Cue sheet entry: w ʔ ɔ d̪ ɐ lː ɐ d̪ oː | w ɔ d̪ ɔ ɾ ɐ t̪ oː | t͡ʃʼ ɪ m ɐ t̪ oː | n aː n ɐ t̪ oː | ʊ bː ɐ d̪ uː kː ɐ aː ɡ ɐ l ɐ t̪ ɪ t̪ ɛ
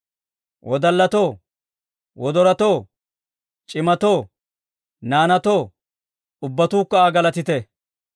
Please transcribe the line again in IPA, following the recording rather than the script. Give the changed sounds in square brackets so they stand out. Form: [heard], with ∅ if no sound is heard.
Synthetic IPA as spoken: w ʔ ɔ d̪ ɐ lː ɐ [t̪] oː | w ɔ d̪ ɔ ɾ ɐ t̪ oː | t͡ʃʼ ɪ m ɐ t̪ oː | n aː n ɐ t̪ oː | ʊ bː ɐ [t̪] uː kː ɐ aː ɡ ɐ l ɐ t̪ ɪ t̪ ɛ